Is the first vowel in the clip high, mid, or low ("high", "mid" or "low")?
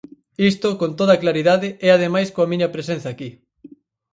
high